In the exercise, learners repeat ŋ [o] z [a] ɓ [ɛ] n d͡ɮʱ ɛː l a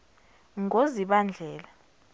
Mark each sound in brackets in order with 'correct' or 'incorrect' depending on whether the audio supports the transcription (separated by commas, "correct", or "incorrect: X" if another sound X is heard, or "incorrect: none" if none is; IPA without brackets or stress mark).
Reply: correct, incorrect: i, incorrect: a